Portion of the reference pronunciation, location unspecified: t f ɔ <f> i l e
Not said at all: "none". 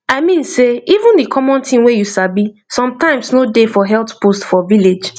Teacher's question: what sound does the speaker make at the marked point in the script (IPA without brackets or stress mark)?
v